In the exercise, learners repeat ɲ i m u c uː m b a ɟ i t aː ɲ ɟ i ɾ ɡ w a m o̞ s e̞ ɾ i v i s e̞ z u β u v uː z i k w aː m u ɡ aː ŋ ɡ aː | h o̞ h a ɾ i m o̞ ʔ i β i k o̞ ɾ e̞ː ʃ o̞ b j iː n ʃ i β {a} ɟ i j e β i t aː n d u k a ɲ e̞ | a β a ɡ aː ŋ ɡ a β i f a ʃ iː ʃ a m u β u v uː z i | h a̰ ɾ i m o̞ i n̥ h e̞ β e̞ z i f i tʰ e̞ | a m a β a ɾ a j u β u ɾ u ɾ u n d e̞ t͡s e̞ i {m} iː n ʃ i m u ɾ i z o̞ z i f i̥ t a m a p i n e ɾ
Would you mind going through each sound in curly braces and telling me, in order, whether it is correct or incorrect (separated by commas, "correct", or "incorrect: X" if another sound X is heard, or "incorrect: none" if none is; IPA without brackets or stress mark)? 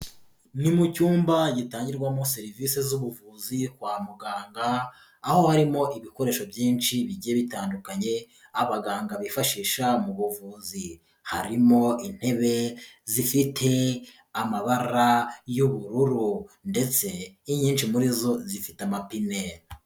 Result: incorrect: i, incorrect: ɲ